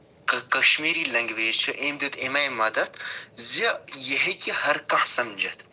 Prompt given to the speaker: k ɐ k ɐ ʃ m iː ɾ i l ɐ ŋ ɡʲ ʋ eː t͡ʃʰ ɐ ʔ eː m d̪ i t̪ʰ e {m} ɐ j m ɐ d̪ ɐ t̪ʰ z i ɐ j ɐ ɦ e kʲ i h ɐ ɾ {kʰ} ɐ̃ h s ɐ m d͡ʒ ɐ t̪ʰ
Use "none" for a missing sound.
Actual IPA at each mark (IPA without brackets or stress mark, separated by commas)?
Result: m, k